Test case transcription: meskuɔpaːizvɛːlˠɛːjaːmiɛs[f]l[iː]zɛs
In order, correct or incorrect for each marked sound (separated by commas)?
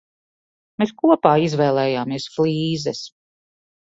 correct, correct